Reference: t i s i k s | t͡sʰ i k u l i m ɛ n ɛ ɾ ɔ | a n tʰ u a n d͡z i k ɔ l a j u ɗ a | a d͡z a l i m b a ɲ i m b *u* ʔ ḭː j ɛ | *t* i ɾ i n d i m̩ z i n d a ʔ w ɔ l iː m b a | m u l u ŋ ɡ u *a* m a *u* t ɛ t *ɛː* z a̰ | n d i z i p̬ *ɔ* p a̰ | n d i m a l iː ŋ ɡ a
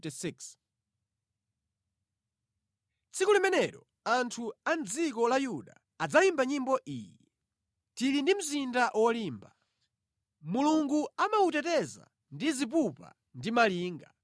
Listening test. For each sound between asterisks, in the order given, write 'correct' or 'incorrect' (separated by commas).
incorrect, correct, correct, correct, incorrect, incorrect